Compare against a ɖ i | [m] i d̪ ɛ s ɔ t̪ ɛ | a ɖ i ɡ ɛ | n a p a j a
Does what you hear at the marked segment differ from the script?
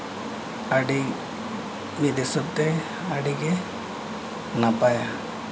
no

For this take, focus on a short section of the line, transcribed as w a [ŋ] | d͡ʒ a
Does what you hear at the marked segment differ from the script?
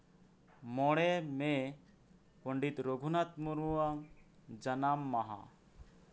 no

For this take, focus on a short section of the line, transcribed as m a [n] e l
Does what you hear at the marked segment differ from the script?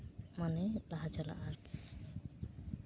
no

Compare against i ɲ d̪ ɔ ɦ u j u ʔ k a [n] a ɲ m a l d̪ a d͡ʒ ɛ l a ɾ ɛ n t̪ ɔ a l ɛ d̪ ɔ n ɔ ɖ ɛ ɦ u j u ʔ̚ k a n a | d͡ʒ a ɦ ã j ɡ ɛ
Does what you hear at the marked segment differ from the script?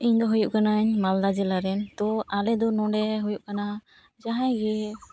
no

